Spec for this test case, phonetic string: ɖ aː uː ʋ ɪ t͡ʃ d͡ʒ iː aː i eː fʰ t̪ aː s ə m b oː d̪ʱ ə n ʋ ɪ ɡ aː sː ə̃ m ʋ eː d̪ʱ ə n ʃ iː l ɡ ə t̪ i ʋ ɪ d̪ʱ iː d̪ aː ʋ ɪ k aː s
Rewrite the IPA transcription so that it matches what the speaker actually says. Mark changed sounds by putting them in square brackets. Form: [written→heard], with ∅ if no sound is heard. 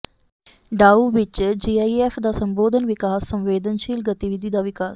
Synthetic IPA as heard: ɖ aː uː ʋ ɪ t͡ʃ d͡ʒ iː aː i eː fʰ [t̪→d̪] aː s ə m b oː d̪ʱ ə n ʋ ɪ [ɡ→k] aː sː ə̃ m ʋ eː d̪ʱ ə n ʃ iː l ɡ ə t̪ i ʋ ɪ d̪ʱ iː d̪ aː ʋ ɪ k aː s